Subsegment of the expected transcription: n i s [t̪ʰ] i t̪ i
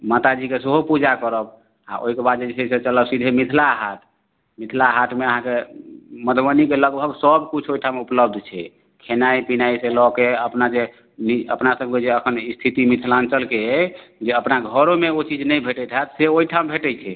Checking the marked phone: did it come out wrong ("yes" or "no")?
no